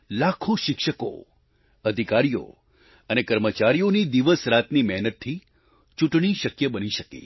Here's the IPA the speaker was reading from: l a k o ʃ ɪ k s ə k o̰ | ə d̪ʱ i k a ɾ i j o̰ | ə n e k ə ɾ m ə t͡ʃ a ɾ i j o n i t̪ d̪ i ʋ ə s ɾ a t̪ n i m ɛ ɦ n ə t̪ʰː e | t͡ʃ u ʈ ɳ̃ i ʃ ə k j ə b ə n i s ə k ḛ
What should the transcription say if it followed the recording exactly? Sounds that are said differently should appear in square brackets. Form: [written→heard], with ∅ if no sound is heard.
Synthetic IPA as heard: l a [k→kʰ] o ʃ ɪ k [s→ʃ] ə k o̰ | ə d̪ʱ i k a ɾ i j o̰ | ə n e k ə ɾ m ə t͡ʃ a ɾ i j o n i [t̪→∅] d̪ i ʋ ə s ɾ a t̪ n i m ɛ ɦ n ə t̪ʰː [e→i] | t͡ʃ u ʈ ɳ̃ i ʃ ə k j ə b ə n i [s→ʃ] ə k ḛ

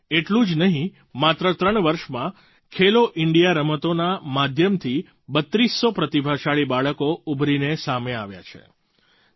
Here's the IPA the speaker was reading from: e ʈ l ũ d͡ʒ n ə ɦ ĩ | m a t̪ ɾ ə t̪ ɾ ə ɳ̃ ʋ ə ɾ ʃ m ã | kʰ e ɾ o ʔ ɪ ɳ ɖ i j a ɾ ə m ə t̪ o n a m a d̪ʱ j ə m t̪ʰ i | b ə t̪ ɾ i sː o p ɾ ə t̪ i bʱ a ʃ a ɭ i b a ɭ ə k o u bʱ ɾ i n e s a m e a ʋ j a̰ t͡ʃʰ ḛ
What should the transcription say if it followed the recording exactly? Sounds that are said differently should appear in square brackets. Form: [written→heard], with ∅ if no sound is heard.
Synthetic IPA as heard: e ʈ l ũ d͡ʒ n ə ɦ ĩ | m a t̪ ɾ ə t̪ ɾ ə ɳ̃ ʋ ə ɾ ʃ m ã | kʰ e [ɾ→l] o ʔ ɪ ɳ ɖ i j a ɾ ə m ə t̪ o n a m a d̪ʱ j ə m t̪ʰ i | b ə t̪ ɾ i sː o p ɾ ə t̪ i bʱ a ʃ a ɭ i b a ɭ ə k o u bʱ ɾ i n e s a m e a ʋ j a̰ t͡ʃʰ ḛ

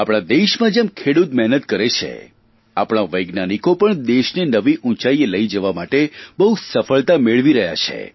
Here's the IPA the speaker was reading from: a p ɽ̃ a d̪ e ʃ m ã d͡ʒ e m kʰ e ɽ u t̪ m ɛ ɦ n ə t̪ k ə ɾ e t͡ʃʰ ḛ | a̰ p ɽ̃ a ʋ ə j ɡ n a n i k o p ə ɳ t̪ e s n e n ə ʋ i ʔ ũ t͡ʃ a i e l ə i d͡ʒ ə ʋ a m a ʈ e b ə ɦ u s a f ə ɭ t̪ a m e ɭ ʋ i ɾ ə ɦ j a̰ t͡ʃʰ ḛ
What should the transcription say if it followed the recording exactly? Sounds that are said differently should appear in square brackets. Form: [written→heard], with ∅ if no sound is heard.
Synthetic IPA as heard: a p ɽ̃ a d̪ e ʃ m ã d͡ʒ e m kʰ e ɽ u t̪ m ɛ ɦ n ə t̪ k ə ɾ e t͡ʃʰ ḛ | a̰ p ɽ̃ a ʋ ə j ɡ n a n i k o p ə ɳ [t̪→d̪] e [s→ʃ] n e n ə ʋ i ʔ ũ t͡ʃ a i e l ə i d͡ʒ ə ʋ a m a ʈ e b ə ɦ u s [a→ə] f ə ɭ t̪ a m e ɭ ʋ i ɾ ə ɦ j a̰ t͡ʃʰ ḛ

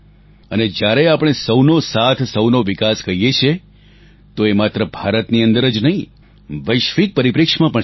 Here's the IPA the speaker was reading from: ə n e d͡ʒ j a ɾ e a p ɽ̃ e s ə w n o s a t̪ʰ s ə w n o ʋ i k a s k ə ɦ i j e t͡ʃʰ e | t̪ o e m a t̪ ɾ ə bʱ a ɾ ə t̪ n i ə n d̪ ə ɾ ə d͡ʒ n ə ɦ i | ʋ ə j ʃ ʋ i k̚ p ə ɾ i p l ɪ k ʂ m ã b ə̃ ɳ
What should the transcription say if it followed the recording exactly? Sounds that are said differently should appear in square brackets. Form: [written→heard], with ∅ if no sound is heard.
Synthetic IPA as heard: ə n e d͡ʒ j a ɾ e a p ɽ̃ e s ə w n o s a t̪ʰ s ə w n o ʋ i k a s k ə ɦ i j e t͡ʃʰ e | t̪ o e m a t̪ ɾ ə bʱ a ɾ ə t̪ n i ə n d̪ ə ɾ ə d͡ʒ n ə ɦ [i→ĩ] | ʋ ə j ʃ ʋ i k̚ p ə ɾ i p [l→ɾ] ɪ k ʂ m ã [b→p] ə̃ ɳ

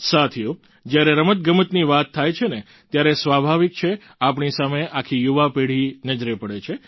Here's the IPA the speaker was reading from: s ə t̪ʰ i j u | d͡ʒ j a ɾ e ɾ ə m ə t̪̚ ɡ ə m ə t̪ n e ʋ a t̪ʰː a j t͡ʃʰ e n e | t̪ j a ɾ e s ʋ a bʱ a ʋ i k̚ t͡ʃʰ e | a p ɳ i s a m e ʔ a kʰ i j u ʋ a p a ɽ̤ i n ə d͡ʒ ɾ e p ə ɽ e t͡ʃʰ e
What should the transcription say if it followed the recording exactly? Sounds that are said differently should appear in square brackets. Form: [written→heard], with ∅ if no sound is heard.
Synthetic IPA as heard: s [ə→a] t̪ʰ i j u | d͡ʒ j a ɾ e ɾ ə m ə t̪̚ ɡ ə m ə t̪ n [e→i] ʋ a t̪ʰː a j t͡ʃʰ e n e | t̪ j a ɾ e s ʋ a bʱ a ʋ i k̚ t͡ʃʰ e | a p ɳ i s a m e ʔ a kʰ i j u ʋ a p [a→e] ɽ̤ i n ə d͡ʒ ɾ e p ə ɽ e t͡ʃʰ e

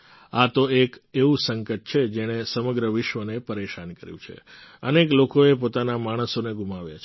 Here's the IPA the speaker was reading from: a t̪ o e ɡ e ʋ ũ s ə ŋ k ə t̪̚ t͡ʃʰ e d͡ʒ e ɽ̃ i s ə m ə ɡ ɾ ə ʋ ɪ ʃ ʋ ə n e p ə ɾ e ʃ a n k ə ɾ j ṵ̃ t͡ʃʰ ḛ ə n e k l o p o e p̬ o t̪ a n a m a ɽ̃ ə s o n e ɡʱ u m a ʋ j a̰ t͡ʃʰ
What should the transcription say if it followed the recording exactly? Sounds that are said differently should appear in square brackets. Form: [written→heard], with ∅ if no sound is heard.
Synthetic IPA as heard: a t̪ o e [ɡ→k] e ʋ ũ s ə ŋ k ə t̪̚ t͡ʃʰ e d͡ʒ e ɽ̃ [i→e] s ə m ə ɡ ɾ ə ʋ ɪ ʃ ʋ ə n e p ə ɾ e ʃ a n k ə ɾ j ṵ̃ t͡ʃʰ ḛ ə n e k l o [p→k] o e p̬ o t̪ a n a m a ɽ̃ ə s o n e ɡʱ u m a ʋ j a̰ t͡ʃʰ

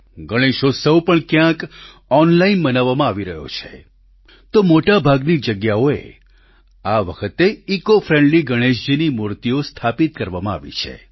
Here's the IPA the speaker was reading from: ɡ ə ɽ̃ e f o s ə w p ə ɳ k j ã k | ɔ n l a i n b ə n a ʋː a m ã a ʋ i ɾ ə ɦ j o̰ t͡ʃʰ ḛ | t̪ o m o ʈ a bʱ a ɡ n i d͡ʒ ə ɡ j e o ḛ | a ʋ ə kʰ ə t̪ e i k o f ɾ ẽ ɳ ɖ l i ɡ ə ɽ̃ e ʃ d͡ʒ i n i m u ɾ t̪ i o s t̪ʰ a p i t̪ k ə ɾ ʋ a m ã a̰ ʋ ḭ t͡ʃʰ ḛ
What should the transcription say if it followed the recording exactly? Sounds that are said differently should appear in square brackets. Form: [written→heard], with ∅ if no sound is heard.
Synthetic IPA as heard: ɡ ə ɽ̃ e [f→ʃ] o s ə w p ə ɳ k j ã k | ɔ n l a i n b ə n a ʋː a m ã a ʋ i ɾ ə ɦ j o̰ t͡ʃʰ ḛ | t̪ o m o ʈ a bʱ a ɡ n i d͡ʒ ə ɡ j [e→a] o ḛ | a ʋ ə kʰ ə t̪ e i k o f ɾ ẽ ɳ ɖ l i ɡ ə ɽ̃ e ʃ d͡ʒ i n i m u ɾ t̪ i o s t̪ʰ a p i t̪ k ə ɾ ʋ a m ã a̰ ʋ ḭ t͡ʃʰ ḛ

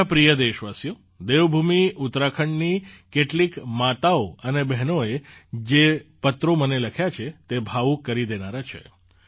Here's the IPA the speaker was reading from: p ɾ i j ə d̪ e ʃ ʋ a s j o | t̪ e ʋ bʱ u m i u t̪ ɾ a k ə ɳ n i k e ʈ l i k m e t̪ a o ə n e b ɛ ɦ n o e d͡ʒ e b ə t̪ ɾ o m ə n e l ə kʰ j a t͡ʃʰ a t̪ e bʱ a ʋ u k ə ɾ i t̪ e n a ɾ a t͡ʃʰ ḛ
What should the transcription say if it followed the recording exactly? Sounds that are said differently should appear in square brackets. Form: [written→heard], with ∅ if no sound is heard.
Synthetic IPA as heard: p ɾ i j ə d̪ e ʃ ʋ a s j o | [t̪→d̪] e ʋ bʱ u m i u t̪ ɾ a [k→kʰ] ə ɳ n i k e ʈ l i k m [e→a] t̪ a o ə n e b ɛ ɦ n o e d͡ʒ e [b→p] ə t̪ ɾ o m ə n e l ə kʰ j a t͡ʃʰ [a→e] t̪ e bʱ a ʋ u k ə ɾ i [t̪→d̪] e n a ɾ a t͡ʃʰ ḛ

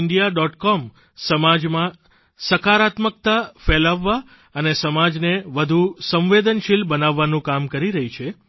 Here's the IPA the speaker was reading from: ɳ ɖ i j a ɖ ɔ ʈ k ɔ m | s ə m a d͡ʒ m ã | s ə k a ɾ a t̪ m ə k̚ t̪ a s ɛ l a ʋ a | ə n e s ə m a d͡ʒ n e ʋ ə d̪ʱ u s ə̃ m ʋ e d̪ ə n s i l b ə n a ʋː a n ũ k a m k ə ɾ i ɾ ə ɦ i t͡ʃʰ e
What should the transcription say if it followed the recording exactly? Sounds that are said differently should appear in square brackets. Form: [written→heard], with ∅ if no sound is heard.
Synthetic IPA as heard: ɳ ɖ i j a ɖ ɔ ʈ k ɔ m | s ə m a d͡ʒ m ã | s ə k a ɾ a t̪ m ə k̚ t̪ a [s→f] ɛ l a [ʋ→ʋː] a | ə n e s ə m a d͡ʒ n e ʋ ə d̪ʱ u s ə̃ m ʋ e d̪ ə n [s→ʃ] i l b ə n a ʋː a n ũ k a m k ə ɾ i ɾ ə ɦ i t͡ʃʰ e

